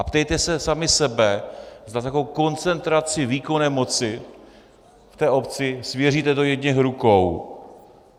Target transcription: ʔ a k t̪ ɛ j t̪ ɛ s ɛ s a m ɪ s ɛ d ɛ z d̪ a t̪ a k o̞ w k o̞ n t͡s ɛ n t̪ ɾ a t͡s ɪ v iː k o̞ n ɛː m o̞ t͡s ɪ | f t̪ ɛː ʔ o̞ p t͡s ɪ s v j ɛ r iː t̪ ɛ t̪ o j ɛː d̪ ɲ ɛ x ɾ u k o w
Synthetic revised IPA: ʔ a p t̪ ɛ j t̪ ɛ s ɛ s a m ɪ s ɛ b ɛ z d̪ a t̪ a k o̞ w k o̞ n t͡s ɛ n t̪ ɾ a t͡s ɪ v iː k o̞ n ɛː m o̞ t͡s ɪ | f t̪ ɛː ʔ o̞ p t͡s ɪ s v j ɛ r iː t̪ ɛ t̪ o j ɛ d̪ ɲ ɛ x ɾ u k o w